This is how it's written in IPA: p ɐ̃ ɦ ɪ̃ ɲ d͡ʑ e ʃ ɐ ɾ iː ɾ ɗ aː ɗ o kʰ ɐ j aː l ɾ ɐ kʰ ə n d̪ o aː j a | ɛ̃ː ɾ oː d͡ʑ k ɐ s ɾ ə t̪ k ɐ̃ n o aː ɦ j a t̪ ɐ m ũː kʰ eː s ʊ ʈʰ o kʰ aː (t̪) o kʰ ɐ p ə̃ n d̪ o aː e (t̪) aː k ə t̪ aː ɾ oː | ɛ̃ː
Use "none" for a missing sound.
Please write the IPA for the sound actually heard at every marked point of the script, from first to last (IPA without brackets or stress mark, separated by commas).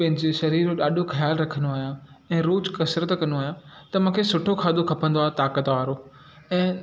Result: d̪, t̪